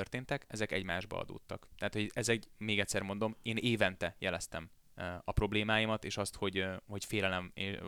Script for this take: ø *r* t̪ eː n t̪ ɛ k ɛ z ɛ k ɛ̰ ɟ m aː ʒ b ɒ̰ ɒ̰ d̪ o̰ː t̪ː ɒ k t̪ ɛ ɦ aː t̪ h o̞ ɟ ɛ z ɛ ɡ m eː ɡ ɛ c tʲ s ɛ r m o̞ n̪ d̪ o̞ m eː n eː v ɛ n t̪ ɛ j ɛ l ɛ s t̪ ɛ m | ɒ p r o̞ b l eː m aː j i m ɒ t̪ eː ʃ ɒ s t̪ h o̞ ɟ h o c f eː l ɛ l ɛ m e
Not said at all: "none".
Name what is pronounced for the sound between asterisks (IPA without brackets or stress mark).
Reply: r